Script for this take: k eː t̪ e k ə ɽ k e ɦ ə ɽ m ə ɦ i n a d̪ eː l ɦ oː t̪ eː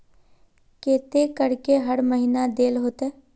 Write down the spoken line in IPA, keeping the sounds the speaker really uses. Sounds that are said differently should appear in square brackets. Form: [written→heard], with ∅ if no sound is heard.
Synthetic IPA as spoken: k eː t̪ e k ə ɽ k e ɦ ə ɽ m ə ɦ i n a d̪ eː l ɦ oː t̪ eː